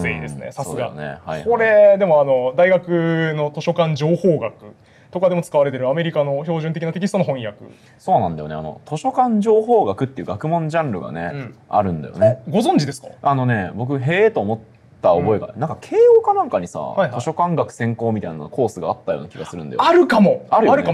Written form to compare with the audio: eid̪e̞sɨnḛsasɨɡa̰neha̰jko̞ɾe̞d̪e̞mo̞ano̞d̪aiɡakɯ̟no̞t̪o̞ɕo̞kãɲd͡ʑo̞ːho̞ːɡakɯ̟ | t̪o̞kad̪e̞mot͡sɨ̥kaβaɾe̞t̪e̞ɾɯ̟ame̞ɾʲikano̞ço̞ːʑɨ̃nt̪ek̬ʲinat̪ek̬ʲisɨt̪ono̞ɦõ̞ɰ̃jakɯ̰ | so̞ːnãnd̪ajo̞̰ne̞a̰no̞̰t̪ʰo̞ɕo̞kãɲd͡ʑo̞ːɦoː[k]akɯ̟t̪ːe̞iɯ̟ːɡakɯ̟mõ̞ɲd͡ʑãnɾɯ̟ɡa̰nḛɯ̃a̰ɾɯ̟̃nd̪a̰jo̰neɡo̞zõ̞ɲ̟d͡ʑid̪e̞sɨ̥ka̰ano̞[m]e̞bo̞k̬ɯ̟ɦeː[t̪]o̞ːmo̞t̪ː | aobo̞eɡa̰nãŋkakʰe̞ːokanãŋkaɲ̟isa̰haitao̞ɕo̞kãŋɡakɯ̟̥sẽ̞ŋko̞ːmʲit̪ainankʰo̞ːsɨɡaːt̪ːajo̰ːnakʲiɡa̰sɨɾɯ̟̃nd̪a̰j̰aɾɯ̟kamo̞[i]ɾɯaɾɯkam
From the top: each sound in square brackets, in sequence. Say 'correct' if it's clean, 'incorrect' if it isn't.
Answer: incorrect, incorrect, correct, incorrect

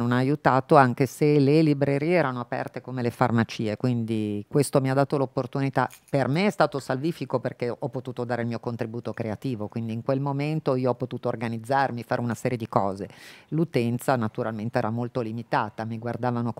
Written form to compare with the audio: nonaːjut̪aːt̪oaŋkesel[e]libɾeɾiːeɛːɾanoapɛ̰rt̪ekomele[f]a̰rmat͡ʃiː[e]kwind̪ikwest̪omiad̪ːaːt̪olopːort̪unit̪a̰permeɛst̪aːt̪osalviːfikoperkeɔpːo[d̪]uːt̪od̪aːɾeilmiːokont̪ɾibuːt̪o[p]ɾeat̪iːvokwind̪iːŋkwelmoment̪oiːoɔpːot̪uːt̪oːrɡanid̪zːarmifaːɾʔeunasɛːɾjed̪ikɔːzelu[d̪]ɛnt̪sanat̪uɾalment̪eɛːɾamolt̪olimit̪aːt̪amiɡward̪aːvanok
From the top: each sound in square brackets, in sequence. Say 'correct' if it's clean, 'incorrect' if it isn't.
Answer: correct, correct, correct, incorrect, incorrect, incorrect

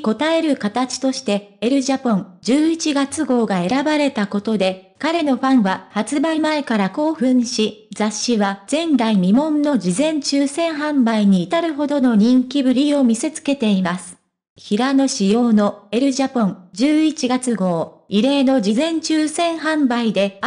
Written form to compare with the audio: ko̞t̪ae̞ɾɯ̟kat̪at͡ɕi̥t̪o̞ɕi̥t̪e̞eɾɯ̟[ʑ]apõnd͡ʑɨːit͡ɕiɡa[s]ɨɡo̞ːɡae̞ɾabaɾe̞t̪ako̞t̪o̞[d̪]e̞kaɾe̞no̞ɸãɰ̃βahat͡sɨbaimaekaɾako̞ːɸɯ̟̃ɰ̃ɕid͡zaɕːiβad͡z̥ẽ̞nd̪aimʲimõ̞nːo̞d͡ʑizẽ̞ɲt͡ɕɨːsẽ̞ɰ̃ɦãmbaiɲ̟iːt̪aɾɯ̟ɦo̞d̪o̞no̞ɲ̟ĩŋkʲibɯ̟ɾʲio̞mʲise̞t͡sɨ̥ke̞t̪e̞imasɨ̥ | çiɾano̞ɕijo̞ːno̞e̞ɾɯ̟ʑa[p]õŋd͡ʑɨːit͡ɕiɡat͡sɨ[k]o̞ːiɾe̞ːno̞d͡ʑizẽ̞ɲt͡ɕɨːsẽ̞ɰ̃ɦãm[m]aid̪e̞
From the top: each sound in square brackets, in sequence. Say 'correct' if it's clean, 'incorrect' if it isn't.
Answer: correct, incorrect, correct, correct, incorrect, incorrect

